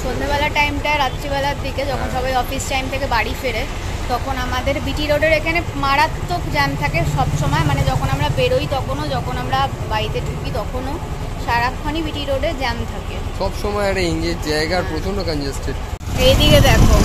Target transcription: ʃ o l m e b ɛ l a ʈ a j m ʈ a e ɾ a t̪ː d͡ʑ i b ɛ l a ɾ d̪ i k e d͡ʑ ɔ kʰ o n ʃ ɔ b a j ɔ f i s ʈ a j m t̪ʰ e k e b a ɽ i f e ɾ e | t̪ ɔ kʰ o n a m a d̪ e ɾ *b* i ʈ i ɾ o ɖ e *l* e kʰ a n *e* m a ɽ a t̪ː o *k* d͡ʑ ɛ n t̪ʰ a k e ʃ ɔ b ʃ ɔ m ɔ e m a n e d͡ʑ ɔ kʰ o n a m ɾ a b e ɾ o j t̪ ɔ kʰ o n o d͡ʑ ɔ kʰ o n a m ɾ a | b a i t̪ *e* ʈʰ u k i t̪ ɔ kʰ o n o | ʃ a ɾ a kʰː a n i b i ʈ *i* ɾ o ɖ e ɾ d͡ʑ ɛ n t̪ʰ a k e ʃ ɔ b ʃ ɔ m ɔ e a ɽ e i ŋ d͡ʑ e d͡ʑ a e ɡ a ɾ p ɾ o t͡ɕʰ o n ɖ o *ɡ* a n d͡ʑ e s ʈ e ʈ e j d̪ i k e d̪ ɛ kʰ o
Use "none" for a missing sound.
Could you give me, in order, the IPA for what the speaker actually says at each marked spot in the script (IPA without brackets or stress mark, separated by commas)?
b, ɾ, e, k, e, i, k